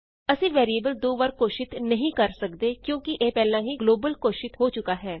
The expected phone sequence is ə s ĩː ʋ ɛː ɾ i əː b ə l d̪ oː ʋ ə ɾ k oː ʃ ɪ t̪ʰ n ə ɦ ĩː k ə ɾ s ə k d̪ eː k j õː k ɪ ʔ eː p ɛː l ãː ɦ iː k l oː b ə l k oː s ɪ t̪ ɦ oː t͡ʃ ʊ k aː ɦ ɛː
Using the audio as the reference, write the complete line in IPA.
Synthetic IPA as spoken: ə s ĩː ʋ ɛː ɾ i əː b ə l d̪ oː ʋ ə ɾ k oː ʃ ɪ t̪ n ə ɦ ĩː k ə ɾ s ə k d̪ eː k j õː k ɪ ʔ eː p ɛː l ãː ɦ iː ɡ l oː b ə l k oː ʃ ɪ t̪ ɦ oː t͡ʃ ʊ k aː ɦ ɛː